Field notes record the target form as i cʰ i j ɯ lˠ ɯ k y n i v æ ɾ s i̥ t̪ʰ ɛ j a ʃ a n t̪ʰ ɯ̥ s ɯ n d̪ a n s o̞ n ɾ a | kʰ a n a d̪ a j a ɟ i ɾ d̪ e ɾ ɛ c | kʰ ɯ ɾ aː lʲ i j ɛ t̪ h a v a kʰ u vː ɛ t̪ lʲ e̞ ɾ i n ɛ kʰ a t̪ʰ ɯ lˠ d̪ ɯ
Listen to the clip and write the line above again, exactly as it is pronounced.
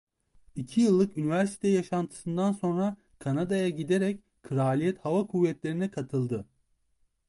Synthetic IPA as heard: i cʰ i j ɯ lˠː ɯ k y n i v æ ɾ s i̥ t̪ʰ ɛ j a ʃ a n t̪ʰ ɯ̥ s ɯ n d̪ a n s o̞ n ɾ a | kʰ a n a d̪ a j a ɟ i d̪ e ɾ ɛ c | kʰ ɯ ɾ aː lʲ i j ɛ t̪ h a v a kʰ u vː ɛ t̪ lʲ e̞ ɾ i n ɛ kʰ a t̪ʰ ɯ lˠ d̪ ɯ